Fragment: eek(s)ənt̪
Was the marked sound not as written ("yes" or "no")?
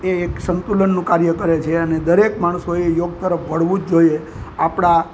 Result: no